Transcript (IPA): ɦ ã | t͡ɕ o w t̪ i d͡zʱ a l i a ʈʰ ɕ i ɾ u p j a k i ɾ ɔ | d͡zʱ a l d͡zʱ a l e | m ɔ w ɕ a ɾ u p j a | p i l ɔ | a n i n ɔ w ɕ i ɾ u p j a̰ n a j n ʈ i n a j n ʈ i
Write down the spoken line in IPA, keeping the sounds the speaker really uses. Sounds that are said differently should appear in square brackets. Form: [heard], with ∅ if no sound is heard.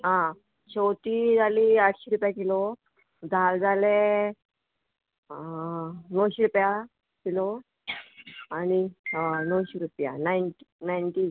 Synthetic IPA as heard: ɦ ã | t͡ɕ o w t̪ i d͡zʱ a l i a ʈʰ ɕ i ɾ u p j a k i [l] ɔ | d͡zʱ a l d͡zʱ a l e | [n] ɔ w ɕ [i] ɾ u p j a | [k] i l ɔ | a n i n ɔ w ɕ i ɾ u p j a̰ n a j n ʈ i n a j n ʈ i